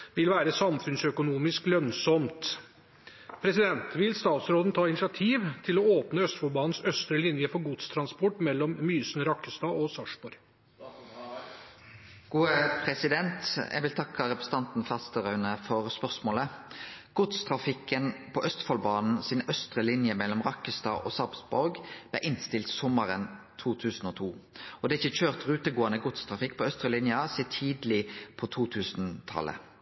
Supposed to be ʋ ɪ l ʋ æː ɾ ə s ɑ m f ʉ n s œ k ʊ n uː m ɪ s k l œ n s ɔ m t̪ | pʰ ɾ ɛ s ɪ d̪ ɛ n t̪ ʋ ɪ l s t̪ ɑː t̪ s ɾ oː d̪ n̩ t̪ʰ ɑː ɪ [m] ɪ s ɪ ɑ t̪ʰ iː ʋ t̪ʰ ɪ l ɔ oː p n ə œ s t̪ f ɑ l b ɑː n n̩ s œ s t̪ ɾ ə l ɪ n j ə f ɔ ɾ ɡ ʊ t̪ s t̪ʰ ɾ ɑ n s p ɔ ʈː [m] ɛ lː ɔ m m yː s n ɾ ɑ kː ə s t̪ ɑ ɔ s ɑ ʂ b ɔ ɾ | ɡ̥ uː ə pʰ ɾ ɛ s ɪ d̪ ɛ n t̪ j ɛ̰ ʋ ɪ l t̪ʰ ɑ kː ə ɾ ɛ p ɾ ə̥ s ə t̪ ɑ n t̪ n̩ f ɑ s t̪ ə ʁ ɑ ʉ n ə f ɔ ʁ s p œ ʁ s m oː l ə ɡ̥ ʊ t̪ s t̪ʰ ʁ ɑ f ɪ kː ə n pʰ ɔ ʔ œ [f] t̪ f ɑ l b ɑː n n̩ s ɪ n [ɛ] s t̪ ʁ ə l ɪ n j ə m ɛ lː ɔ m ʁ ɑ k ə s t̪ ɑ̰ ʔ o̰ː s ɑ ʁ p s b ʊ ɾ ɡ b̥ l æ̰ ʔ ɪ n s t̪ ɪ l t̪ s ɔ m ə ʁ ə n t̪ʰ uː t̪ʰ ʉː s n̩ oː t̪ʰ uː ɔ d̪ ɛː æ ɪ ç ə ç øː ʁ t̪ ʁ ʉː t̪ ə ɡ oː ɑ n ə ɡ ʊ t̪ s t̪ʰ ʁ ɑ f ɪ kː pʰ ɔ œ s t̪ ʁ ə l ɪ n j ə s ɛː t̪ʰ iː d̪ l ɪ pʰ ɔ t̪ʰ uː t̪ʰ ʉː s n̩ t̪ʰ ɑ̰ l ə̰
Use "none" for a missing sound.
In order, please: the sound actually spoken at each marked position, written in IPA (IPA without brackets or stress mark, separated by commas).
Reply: n, m, s, œ